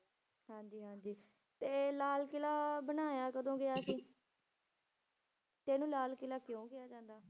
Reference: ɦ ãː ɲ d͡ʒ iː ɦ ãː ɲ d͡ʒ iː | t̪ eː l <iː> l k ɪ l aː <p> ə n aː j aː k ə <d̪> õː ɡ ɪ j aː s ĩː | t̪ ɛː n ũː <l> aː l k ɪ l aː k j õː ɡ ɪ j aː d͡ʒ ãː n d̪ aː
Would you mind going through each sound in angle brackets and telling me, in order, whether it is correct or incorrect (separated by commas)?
incorrect, incorrect, correct, correct